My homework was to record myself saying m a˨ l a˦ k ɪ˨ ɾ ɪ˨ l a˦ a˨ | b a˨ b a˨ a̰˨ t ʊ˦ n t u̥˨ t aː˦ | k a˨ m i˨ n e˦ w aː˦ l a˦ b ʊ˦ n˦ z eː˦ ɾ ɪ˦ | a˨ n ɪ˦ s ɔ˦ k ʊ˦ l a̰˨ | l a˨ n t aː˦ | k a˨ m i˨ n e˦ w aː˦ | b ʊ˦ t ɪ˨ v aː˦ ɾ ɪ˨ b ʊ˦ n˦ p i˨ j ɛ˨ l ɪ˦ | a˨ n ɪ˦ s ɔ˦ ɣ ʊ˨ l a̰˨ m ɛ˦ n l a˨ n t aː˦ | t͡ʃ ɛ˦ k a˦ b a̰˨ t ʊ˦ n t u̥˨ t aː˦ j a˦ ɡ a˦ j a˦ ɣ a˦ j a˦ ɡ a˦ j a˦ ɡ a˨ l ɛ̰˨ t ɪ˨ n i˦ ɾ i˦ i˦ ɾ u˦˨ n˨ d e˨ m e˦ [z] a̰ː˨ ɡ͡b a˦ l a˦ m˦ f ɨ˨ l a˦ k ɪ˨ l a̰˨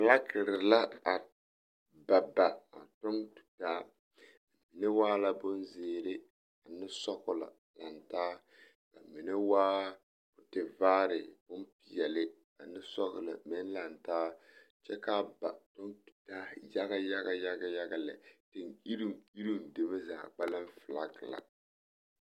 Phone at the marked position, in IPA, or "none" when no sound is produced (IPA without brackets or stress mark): z